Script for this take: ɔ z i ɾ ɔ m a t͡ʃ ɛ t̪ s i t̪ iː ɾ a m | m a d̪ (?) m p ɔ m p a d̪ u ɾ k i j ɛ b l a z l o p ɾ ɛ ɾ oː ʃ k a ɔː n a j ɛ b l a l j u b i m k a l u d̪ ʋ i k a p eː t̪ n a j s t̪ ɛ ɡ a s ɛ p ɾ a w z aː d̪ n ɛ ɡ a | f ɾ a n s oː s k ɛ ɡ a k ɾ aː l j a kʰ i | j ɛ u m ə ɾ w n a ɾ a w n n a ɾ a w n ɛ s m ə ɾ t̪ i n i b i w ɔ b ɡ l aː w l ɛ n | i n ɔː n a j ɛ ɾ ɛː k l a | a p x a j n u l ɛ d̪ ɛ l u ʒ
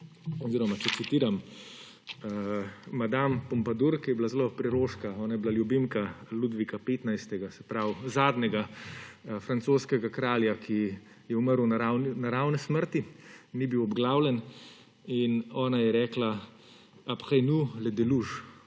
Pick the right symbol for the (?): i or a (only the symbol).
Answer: a